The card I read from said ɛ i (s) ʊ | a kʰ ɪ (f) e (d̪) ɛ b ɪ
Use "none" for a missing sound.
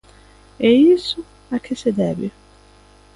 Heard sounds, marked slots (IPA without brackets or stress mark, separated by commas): s, s, d̪